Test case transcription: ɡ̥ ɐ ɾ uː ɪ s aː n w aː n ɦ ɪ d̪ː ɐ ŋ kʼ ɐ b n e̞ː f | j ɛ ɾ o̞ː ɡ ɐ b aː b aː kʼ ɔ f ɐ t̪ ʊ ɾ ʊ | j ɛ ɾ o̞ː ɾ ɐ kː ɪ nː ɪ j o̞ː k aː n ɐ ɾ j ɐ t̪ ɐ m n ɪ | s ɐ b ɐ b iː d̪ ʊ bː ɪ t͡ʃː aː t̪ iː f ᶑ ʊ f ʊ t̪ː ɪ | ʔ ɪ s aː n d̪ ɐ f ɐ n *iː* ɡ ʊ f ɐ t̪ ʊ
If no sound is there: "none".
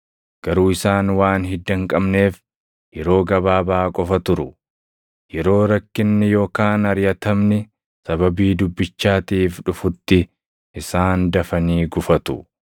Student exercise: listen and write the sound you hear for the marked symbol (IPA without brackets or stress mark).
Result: iː